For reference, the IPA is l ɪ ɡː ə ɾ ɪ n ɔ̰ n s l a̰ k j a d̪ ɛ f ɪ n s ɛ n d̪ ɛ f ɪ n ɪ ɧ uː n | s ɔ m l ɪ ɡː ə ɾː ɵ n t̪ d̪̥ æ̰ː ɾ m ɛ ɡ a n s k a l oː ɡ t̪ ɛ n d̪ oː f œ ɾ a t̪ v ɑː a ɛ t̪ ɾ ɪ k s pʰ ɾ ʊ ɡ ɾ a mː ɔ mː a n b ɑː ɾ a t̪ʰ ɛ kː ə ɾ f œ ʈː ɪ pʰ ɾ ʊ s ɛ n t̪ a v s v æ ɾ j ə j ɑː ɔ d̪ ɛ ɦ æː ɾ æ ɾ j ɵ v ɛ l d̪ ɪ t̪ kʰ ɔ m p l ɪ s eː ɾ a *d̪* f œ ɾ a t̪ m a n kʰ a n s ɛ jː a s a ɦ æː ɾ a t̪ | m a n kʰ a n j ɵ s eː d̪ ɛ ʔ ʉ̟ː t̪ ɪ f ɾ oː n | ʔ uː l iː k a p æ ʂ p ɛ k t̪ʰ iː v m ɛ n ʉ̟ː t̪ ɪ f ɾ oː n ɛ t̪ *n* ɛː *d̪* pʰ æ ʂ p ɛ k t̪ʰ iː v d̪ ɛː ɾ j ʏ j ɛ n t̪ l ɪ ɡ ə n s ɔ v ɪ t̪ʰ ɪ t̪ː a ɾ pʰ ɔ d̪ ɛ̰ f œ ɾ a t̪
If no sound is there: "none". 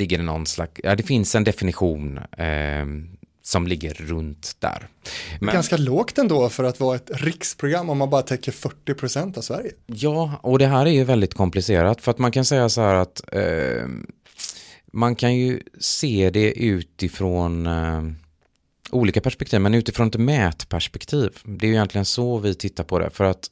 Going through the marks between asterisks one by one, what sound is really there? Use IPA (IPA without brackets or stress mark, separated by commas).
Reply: t̪, m, t̪